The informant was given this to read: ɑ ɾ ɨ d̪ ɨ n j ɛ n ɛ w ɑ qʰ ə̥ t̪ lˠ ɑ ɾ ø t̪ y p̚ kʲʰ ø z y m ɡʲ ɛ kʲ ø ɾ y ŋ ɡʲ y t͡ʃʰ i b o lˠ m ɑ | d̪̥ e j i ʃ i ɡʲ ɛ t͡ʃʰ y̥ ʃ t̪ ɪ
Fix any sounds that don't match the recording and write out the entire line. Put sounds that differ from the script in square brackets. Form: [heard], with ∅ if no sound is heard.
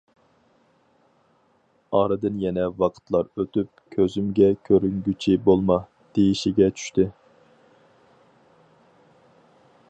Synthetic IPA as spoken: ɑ ɾ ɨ d̪ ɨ n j ɛ n ɛ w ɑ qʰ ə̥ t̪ lˠ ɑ ɾ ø t̪ y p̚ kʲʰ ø z y m ɡʲ ɛ [kʲʰ] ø ɾ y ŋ ɡʲ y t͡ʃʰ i b o lˠ m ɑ | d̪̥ e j i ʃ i ɡʲ ɛ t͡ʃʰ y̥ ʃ t̪ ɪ